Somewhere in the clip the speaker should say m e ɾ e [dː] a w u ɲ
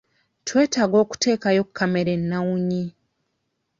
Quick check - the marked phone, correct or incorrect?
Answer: incorrect